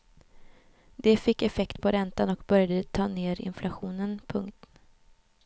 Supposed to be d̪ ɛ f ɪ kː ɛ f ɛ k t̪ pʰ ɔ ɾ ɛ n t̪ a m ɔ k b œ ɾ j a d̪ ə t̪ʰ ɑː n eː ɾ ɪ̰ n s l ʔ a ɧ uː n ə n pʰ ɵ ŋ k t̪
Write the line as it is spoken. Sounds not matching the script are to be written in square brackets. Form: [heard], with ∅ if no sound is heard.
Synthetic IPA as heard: d̪ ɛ f ɪ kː ɛ f ɛ k t̪ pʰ ɔ ɾ ɛ n t̪ a [n] ɔ k b œ ɾ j a d̪ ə t̪ʰ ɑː n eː ɾ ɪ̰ n [f] l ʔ a ɧ uː n ə n pʰ ɵ ŋ k t̪